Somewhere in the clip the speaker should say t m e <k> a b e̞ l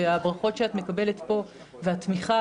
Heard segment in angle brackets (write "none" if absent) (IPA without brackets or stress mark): k